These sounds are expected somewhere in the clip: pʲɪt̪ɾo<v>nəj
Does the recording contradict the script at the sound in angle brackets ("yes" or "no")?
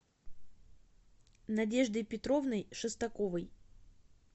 no